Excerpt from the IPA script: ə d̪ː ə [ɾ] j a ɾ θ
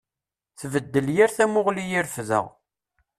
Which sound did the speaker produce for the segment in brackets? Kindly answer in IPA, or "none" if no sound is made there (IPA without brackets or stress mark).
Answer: l